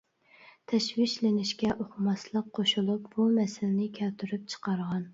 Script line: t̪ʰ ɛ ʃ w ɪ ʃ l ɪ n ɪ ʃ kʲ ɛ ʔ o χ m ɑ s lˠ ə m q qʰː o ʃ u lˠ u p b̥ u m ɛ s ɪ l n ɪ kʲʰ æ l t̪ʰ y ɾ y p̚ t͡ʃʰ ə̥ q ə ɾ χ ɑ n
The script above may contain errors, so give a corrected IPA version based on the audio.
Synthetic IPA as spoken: t̪ʰ ɛ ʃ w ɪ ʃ l ɪ n ɪ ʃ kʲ ɛ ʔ o χ m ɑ s lˠ ə q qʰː o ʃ u lˠ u p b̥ u m ɛ s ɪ l n ɪ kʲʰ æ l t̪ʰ y ɾ y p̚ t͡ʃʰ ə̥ q ɑ ɾ ʁ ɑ n